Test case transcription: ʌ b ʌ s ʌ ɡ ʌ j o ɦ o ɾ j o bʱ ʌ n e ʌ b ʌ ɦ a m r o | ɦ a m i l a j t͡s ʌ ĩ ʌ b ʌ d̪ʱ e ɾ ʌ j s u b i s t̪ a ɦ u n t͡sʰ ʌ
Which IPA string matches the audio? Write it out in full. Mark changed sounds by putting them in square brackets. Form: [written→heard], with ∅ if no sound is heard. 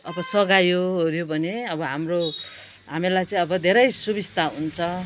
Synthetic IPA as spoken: ʌ b ʌ s ʌ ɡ [ʌ→a] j o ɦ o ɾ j o bʱ ʌ n e ʌ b ʌ ɦ a m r o | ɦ a m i l a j t͡s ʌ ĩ ʌ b ʌ d̪ʱ e ɾ ʌ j s u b i s t̪ a ɦ u n t͡sʰ ʌ

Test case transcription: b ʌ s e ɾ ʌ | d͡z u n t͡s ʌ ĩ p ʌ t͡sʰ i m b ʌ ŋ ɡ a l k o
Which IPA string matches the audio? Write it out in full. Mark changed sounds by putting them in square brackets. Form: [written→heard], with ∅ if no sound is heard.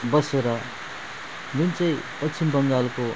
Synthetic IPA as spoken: b ʌ s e ɾ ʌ | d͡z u n t͡s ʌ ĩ p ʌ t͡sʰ i m b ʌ ŋ ɡ a l k o

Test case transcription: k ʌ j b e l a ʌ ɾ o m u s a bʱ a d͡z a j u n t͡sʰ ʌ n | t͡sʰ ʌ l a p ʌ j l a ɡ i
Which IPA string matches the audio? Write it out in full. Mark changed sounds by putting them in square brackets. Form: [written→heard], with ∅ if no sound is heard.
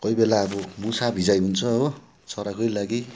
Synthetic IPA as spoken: k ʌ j b e l a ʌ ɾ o m u s a bʱ [a→i] d͡z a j u n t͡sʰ ʌ [n→∅] | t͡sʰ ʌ [l→ɾ] a [p→k] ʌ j l a ɡ i

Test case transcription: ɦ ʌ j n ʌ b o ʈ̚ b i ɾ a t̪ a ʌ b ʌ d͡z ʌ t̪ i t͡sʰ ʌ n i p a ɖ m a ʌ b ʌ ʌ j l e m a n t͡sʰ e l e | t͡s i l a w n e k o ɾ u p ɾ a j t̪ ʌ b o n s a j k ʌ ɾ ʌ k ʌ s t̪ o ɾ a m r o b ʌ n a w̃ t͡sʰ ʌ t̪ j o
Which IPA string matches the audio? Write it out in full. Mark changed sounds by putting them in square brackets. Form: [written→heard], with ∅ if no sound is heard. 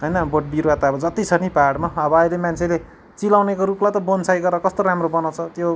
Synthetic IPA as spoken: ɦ ʌ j n ʌ b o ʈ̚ b i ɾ a t̪ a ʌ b ʌ d͡z ʌ t̪ i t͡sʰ ʌ n i p a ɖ m a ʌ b ʌ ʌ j l e m a n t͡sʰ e l e | t͡s i l a w n e k o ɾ u p [ɾ→l] a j t̪ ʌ b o n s a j [k→ɡ] ʌ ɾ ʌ k ʌ s t̪ o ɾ a m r o b ʌ n a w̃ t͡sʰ ʌ t̪ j o

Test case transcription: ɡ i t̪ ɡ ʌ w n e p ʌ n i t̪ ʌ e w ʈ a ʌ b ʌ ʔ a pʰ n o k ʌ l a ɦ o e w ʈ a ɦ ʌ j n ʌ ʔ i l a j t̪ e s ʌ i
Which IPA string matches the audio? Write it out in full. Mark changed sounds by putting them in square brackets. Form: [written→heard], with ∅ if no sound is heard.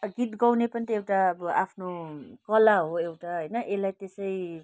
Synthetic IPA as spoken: ɡ i t̪ ɡ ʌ w n e p ʌ n i t̪ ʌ e w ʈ a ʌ b ʌ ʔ a pʰ n o k ʌ l a ɦ o e w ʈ a ɦ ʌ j n ʌ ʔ [i→e] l a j t̪ e s ʌ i

